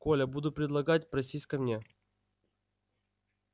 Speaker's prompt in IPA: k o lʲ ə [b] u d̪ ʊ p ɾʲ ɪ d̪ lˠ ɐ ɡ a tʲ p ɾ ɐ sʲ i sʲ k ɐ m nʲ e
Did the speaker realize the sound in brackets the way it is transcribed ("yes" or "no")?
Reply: yes